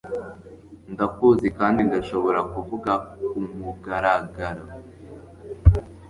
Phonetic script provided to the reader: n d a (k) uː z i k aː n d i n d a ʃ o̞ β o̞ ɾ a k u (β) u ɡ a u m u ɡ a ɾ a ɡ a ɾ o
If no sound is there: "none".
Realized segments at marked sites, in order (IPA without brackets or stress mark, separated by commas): k, v